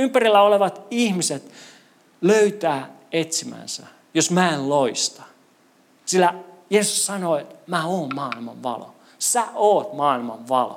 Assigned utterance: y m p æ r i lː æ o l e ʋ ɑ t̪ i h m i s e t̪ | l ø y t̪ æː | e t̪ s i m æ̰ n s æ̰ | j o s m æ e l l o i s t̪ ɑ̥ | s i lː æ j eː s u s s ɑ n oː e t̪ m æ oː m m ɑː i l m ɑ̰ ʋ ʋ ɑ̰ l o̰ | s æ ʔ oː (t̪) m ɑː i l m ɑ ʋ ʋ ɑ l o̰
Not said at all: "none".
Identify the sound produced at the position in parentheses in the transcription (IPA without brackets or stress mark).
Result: t̪